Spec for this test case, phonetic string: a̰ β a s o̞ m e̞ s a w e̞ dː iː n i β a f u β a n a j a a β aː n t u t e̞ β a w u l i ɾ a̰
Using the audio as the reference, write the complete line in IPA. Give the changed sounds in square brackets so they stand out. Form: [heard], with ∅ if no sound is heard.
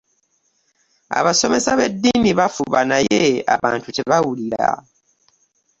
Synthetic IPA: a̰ β a s o̞ m e̞ s a [β] e̞ dː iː n i β a f u β a n a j [e] a β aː n t u t e̞ β a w u l i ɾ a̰